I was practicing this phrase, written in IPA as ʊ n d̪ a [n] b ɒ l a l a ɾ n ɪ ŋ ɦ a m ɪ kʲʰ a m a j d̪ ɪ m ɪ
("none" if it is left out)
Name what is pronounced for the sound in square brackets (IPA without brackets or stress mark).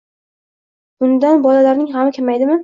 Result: n